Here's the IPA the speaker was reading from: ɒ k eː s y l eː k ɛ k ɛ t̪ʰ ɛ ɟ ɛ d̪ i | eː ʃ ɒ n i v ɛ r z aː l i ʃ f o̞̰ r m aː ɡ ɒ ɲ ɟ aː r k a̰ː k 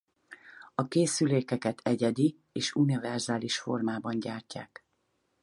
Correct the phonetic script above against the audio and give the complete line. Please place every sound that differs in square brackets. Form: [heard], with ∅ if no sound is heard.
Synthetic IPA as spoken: ɒ k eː s y l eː k ɛ k ɛ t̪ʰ ɛ ɟ ɛ d̪ i | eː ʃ [u] n i v ɛ r z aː l i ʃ f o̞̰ r m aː [b] ɒ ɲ ɟ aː r [c] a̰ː k